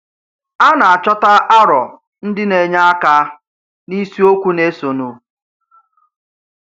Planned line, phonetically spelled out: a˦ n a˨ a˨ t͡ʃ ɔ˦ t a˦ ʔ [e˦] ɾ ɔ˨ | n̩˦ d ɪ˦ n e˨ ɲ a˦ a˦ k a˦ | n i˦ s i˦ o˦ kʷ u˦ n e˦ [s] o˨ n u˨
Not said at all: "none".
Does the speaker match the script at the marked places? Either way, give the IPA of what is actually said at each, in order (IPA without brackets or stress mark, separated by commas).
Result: a˦, s